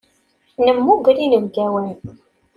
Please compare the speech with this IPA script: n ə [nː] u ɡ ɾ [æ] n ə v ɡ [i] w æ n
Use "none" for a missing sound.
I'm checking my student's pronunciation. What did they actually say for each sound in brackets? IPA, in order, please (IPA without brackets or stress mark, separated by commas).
mː, i, æ